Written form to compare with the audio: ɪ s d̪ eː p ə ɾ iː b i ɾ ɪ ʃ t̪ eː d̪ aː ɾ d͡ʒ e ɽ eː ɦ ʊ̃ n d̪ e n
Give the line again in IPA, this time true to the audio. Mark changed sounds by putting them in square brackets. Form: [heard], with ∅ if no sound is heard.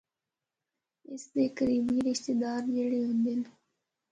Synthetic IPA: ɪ s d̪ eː [k] ə ɾ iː b i ɾ ɪ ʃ t̪ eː d̪ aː ɾ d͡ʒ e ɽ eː ɦ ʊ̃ n d̪ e n